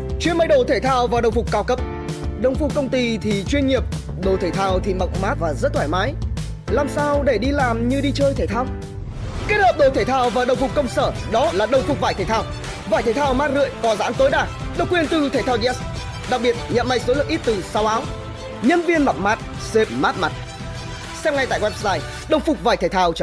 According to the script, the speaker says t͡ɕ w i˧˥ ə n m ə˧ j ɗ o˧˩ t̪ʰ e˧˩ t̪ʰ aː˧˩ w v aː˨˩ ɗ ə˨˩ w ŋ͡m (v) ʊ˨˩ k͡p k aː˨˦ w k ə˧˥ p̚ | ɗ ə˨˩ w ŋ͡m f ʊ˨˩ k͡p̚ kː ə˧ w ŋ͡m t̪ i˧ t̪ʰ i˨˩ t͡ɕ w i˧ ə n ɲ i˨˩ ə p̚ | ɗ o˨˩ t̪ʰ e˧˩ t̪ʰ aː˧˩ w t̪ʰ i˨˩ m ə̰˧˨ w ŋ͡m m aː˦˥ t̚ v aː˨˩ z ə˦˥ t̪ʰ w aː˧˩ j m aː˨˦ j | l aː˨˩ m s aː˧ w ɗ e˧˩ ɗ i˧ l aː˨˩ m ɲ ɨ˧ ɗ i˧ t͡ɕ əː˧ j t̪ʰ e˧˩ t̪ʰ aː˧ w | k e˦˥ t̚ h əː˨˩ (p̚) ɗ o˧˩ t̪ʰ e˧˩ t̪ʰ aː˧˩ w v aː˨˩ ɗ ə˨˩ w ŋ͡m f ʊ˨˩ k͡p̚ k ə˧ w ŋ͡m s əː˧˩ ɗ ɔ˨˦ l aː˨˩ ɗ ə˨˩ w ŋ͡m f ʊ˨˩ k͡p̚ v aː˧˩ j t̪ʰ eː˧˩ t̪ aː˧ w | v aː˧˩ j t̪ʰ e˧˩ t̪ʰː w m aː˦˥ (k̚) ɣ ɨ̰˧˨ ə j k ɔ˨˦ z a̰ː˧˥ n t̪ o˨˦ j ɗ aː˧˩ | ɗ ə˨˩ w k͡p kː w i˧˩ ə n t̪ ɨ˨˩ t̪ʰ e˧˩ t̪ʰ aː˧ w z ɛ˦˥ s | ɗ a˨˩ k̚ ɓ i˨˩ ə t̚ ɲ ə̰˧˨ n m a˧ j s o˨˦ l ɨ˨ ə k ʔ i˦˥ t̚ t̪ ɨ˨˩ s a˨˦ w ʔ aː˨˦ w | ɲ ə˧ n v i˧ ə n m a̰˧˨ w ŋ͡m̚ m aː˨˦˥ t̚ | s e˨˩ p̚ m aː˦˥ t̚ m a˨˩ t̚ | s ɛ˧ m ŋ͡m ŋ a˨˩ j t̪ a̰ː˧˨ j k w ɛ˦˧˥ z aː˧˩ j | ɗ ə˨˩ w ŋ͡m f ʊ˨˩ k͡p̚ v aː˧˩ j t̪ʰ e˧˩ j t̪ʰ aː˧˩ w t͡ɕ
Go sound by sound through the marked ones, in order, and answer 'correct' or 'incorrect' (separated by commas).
incorrect, correct, incorrect